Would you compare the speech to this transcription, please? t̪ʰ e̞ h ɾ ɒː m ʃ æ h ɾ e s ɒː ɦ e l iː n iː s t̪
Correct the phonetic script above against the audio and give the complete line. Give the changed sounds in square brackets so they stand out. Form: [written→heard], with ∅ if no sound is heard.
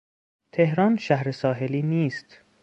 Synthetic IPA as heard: t̪ʰ e̞ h ɾ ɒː [m→n] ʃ æ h ɾ e s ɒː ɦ e l iː n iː s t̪